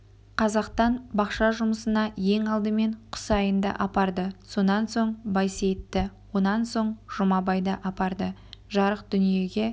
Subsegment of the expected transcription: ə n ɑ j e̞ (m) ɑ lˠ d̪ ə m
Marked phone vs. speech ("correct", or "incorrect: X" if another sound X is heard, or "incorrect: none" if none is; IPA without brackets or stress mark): incorrect: ŋ